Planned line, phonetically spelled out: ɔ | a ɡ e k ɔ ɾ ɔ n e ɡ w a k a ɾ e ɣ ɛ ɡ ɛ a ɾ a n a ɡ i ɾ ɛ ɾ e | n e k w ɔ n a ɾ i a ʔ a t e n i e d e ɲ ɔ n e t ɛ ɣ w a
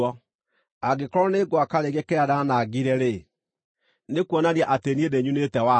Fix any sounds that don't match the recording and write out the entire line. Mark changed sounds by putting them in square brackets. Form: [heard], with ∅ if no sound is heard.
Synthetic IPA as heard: ɔ | a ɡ e k ɔ ɾ ɔ n e ɡ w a k a ɾ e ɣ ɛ [k] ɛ a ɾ a n a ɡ i ɾ ɛ ɾ e | n e k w ɔ n a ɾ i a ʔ a t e n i e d e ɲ [u] n e t ɛ [∅] w a